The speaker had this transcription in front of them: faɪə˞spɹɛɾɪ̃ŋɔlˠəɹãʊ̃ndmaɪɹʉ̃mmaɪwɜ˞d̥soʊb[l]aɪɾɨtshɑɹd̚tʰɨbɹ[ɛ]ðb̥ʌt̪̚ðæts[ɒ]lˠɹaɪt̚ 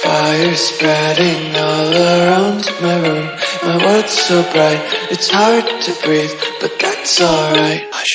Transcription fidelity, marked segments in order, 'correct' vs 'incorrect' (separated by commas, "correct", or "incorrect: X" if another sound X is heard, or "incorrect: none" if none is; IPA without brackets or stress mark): incorrect: ɹ, incorrect: i, incorrect: ɔ